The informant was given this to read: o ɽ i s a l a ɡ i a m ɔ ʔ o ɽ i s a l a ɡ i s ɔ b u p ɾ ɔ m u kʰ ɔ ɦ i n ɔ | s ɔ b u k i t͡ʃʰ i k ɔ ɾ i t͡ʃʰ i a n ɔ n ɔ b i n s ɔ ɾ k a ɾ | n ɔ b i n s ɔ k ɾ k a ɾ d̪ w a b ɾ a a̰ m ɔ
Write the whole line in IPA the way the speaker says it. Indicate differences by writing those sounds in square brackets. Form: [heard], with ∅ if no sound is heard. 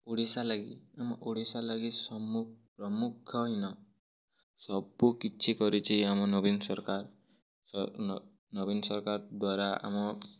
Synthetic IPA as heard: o ɽ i s a l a ɡ i a m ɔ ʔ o ɽ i s a l a ɡ i s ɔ [m] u p ɾ ɔ m u kʰ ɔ ɦ i n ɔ | s ɔ b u k i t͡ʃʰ i k ɔ ɾ i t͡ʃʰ i a [m] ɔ n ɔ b i n s ɔ ɾ k a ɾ | n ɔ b i n s ɔ [∅] ɾ k a ɾ d̪ w a [∅] ɾ a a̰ m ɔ